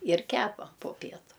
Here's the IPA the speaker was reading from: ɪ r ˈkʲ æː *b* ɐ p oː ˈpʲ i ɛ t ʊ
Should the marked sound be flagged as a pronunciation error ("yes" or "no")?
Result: yes